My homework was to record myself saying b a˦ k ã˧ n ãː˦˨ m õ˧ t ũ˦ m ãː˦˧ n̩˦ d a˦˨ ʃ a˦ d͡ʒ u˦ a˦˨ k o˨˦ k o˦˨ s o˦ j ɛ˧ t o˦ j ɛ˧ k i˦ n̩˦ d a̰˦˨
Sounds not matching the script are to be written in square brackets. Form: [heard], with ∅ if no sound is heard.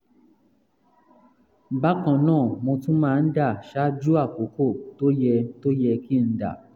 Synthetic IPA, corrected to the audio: b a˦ k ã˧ n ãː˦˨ m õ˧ t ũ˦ m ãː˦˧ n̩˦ d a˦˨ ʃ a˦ d͡ʒ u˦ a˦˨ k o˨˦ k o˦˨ [t] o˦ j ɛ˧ t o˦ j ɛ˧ k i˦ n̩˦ d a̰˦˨